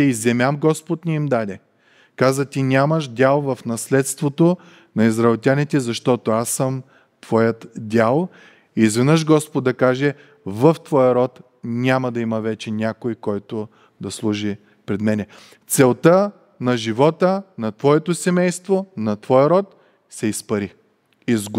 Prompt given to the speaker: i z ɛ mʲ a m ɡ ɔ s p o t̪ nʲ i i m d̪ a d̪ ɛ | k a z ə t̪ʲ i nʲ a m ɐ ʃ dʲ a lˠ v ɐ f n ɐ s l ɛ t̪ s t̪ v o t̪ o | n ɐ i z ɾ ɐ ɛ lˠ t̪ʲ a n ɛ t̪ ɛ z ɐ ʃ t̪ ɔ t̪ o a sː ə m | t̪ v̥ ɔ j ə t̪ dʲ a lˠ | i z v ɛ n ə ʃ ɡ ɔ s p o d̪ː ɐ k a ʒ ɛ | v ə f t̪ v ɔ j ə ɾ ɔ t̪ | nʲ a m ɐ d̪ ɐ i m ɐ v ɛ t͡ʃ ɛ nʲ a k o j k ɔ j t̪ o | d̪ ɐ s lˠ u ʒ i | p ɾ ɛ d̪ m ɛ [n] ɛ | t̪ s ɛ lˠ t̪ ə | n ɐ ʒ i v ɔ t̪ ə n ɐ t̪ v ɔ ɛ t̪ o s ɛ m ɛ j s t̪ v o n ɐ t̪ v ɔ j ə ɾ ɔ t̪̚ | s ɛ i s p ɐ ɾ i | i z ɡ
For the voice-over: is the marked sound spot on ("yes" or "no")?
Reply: yes